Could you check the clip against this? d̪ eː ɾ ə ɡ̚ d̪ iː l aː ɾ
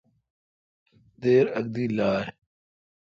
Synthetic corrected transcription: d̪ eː ɾ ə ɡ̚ d̪ iː l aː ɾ